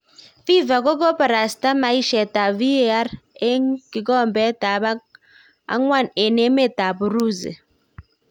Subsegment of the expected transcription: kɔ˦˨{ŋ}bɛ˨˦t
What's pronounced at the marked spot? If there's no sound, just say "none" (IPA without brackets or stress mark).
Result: m